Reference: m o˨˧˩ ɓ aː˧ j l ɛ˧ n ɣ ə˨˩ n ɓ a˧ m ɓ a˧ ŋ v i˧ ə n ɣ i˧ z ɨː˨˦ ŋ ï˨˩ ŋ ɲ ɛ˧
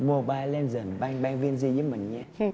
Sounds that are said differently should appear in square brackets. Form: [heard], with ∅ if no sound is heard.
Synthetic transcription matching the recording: m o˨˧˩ ɓ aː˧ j l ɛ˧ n [z] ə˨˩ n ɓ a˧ [ŋ] ɓ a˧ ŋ v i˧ ə n [z] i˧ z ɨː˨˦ [m] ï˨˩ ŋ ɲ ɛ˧

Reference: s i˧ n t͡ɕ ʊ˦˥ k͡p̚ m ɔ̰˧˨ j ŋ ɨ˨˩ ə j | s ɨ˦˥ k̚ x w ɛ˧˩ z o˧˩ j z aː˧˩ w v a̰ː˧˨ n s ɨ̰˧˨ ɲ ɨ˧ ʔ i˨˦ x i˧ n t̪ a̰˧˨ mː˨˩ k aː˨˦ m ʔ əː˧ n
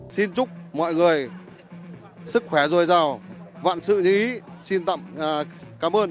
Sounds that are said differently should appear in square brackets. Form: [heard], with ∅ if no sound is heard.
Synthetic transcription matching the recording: s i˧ n t͡ɕ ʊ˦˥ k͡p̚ m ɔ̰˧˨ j ŋ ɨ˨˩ ə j | s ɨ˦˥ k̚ x w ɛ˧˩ z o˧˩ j z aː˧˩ w v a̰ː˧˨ n s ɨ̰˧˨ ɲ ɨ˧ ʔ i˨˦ [s] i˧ n t̪ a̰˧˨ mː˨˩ k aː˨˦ m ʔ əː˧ n

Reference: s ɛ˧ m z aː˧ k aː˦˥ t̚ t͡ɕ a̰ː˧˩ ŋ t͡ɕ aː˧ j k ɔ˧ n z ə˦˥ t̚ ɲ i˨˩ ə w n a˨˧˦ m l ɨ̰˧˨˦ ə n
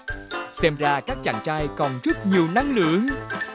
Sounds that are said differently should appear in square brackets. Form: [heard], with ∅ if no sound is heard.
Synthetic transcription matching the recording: s ɛ˧ m z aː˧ k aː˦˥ [k̚] t͡ɕ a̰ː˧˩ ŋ t͡ɕ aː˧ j k [ɔ˨˩] n z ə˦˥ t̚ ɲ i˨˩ ə w n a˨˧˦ [ŋ] l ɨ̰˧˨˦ ə [ŋ]

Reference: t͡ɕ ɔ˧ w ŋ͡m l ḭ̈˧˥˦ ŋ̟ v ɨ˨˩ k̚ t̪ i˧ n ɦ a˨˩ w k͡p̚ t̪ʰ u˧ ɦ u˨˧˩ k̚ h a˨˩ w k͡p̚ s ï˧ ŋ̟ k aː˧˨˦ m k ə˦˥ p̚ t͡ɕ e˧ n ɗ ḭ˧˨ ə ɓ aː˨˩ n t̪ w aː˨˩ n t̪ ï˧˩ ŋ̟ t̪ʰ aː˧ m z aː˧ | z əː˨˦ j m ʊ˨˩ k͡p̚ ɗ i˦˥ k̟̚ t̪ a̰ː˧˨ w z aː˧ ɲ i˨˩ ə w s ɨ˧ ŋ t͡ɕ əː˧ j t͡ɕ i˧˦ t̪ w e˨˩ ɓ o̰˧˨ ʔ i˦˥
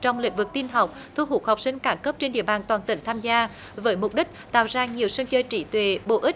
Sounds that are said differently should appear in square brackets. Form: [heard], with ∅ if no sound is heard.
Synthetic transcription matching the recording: t͡ɕ ɔ˧ w ŋ͡m l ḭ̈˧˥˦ ŋ̟ v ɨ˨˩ k̚ t̪ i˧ n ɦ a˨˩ w k͡p̚ t̪ʰ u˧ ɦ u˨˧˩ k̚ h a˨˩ w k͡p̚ s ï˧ ŋ̟ k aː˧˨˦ m k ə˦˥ p̚ t͡ɕ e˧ n ɗ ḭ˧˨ ə ɓ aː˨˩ n t̪ w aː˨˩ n t̪ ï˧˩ ŋ̟ t̪ʰ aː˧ m z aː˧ | [v] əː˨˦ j m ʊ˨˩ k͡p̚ ɗ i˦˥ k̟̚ t̪ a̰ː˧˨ w z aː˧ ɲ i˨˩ ə w s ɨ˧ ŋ t͡ɕ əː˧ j t͡ɕ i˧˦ t̪ w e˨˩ ɓ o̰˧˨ ʔ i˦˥

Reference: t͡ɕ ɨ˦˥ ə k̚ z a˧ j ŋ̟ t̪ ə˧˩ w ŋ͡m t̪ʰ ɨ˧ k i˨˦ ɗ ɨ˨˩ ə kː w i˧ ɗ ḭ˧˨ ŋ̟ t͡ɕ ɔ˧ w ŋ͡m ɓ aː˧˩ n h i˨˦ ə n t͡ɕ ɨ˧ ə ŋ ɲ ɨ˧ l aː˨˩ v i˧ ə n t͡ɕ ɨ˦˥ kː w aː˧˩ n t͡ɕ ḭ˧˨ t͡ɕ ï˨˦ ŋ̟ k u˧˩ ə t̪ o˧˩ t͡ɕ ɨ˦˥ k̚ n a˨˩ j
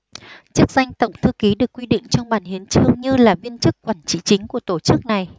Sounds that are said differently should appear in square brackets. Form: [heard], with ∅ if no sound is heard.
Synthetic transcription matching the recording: t͡ɕ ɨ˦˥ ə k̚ z a˧ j ŋ̟ t̪ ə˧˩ w ŋ͡m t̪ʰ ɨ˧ k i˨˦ ɗ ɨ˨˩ ə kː w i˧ ɗ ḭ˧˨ ŋ̟ t͡ɕ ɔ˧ w ŋ͡m ɓ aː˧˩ n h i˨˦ ə n t͡ɕ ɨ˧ ə ŋ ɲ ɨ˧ l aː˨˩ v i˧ ə n t͡ɕ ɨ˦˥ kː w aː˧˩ n t͡ɕ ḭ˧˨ t͡ɕ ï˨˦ ŋ̟ k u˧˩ ə t̪ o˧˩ t͡ɕ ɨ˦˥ k̚ n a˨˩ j

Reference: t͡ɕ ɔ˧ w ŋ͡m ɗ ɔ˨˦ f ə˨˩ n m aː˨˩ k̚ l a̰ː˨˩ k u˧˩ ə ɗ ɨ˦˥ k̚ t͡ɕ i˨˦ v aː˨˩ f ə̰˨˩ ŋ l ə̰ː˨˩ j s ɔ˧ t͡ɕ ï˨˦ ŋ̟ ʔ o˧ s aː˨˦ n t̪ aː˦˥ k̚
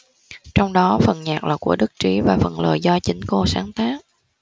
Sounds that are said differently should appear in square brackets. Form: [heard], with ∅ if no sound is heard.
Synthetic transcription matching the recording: t͡ɕ ɔ˧ w ŋ͡m ɗ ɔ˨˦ f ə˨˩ n [ɲ] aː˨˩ k̚ l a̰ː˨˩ k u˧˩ ə ɗ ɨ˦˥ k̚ t͡ɕ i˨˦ v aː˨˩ f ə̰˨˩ [n] l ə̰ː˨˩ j [z] ɔ˧ t͡ɕ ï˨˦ ŋ̟ [k] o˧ s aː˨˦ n t̪ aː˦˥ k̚

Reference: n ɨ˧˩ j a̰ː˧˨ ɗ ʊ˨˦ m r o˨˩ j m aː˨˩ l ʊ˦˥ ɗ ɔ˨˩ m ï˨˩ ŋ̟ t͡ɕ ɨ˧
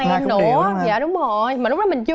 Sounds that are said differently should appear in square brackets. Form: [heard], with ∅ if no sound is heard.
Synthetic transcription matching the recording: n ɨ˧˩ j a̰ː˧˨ ɗ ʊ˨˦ [ŋ͡m] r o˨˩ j m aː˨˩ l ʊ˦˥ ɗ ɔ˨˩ m ï˨˩ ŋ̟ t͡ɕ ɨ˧

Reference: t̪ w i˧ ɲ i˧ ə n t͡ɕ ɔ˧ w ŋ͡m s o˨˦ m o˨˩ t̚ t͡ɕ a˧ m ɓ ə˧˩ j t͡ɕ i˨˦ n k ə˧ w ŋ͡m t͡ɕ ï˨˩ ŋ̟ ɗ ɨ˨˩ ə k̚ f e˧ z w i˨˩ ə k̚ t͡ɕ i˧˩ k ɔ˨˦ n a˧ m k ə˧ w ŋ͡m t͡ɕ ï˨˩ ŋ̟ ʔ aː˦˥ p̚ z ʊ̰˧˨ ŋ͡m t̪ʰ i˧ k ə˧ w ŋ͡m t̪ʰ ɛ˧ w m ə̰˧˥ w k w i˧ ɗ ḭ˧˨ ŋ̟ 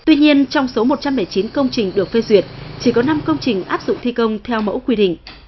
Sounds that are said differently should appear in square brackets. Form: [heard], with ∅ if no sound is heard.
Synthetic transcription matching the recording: t̪ w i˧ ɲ i˧ ə n t͡ɕ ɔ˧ w ŋ͡m s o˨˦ m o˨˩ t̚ t͡ɕ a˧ m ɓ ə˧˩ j t͡ɕ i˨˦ n k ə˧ w ŋ͡m t͡ɕ ï˨˩ ŋ̟ ɗ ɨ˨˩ ə k̚ f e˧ z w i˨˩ ə [t̚] t͡ɕ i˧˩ k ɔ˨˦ n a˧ m k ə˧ w ŋ͡m t͡ɕ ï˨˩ ŋ̟ ʔ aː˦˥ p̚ z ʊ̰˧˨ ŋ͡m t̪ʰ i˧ k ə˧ w ŋ͡m t̪ʰ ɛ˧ w m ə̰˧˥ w k w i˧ ɗ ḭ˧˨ ŋ̟

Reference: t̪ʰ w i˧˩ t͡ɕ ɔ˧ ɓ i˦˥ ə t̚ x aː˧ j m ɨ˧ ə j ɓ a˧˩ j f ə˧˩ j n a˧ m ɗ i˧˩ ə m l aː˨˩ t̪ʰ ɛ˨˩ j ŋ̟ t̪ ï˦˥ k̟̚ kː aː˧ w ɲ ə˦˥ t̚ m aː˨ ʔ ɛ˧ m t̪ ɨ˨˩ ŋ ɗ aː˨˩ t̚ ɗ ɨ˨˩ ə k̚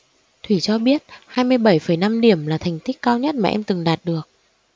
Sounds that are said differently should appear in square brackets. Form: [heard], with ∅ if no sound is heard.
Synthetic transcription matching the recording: t̪ʰ w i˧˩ t͡ɕ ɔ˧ ɓ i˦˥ ə t̚ [h] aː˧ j m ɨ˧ ə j ɓ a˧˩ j f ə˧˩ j n a˧ m ɗ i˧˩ ə m l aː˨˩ t̪ʰ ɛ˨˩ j ŋ̟ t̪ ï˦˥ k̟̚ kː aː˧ w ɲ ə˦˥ t̚ m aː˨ ʔ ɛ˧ m t̪ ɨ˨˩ ŋ ɗ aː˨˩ t̚ ɗ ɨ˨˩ ə k̚

